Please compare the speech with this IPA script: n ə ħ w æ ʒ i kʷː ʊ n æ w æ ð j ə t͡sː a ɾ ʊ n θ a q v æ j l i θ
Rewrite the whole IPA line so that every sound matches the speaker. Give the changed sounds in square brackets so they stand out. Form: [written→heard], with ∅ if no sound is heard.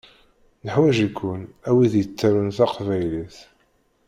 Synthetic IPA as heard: n ə ħ w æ ʒ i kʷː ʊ n æ w [æ→i] ð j ə t͡sː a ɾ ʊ n θ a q v æ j l i θ